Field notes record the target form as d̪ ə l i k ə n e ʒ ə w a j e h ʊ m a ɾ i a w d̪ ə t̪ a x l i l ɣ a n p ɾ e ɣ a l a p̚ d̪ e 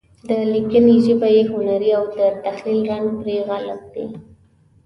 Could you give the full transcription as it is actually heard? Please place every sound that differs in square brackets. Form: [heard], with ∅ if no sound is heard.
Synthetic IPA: d̪ ə l i k ə n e ʒ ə [b] a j e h ʊ [n] a ɾ i a w d̪ ə t̪ a x l i l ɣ a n p ɾ e ɣ a l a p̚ d̪ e

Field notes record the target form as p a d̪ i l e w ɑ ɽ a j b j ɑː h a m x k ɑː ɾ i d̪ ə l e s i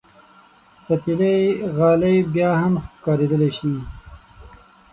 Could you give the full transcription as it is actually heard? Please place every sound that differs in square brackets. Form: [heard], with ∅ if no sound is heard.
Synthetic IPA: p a [t̪] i l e [ɣ] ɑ [l] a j b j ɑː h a m x k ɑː ɾ [e] d̪ ə l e [ʃ] i

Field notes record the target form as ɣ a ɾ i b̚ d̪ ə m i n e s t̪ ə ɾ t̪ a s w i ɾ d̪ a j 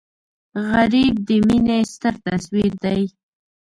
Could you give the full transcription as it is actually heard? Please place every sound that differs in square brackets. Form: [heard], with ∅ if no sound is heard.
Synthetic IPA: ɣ a ɾ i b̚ d̪ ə m i n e s t̪ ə ɾ t̪ a s w i ɾ d̪ a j

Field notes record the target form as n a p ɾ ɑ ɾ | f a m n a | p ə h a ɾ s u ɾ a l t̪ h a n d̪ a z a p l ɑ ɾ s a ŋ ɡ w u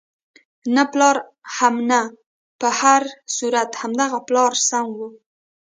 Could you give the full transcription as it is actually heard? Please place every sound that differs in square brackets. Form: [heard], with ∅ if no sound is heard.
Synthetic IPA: n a p [l] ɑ ɾ | [h] a m n a | p ə h a ɾ s u ɾ a [∅] t̪ h a [m] d̪ a [ɣ] a p l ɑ ɾ s a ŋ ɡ w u

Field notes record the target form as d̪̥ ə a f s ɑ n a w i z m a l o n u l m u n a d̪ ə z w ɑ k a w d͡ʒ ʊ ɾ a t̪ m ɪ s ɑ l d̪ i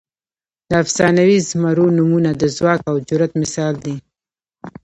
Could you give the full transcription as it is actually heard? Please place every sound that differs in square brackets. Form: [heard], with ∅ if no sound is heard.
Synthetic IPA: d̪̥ ə a f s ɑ n a w i z m a [ɾ] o n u [∅] m u n a d̪ ə z w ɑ k a w d͡ʒ ʊ ɾ a t̪ m ɪ s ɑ l d̪ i

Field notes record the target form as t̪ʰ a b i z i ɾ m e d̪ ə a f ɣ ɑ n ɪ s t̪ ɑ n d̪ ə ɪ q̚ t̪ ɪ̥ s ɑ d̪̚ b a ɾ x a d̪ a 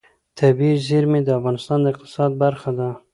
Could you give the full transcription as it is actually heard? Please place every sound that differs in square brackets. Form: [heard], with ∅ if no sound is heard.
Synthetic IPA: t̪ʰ a b i z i ɾ m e d̪ ə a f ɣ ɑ n ɪ s t̪ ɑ n d̪ ə ɪ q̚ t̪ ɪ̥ s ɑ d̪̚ b a ɾ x a d̪ a

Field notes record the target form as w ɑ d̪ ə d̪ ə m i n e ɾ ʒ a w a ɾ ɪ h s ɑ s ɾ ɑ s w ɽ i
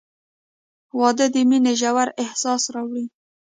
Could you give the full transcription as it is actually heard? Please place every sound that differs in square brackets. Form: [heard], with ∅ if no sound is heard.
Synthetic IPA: w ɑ d̪ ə d̪ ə m i n e [∅] ʒ a w a ɾ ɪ h s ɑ s ɾ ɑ [∅] w ɽ i

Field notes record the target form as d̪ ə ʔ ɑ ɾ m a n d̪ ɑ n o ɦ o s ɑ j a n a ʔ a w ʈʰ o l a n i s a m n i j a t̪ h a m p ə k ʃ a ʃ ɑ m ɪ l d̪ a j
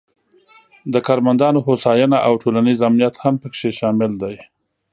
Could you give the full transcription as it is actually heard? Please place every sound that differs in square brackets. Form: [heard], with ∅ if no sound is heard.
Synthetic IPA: d̪ ə [k] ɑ ɾ m a n d̪ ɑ n o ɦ o s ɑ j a n a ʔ a w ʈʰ o l a n i [z] a m n i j a t̪ h a m p ə k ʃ [e] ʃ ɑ m ɪ l d̪ a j

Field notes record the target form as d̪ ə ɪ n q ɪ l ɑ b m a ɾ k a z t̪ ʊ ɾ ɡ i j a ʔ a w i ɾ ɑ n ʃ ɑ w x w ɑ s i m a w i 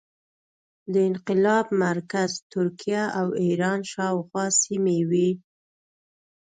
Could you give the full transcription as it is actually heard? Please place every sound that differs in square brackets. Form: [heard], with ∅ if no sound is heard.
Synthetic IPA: d̪ ə ɪ n q ɪ l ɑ b m a ɾ k a z t̪ ʊ ɾ [k] i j a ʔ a w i ɾ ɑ n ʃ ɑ w x w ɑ s i m [e] w i

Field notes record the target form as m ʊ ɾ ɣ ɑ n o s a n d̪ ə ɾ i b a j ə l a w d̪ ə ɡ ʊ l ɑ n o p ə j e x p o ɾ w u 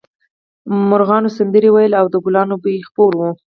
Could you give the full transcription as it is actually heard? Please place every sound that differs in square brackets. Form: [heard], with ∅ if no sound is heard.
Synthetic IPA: m ʊ ɾ ɣ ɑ n o s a n d̪ ə ɾ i [w] a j ə l a w d̪ ə ɡ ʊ l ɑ n o [b] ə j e x p o ɾ w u

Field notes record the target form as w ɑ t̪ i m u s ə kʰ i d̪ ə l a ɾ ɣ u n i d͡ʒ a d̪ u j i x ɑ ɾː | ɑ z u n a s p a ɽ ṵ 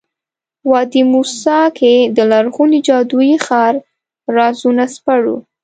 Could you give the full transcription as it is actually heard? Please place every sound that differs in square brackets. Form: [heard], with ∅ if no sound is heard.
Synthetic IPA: w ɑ [d̪] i m u s [ɑ] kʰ [e] d̪ ə l a ɾ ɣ u n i d͡ʒ [ɑ] d̪ u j i x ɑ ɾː | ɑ z u n a s p a ɽ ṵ

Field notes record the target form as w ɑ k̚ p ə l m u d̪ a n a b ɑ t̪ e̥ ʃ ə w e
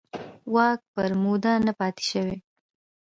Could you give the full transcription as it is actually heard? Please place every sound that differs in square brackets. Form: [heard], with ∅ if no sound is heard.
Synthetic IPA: w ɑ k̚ p ə [ɾ] m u d̪ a n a [p] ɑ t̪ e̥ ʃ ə w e

